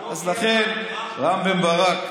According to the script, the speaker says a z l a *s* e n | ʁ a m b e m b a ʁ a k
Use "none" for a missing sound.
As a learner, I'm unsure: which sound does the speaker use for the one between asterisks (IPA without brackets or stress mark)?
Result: χ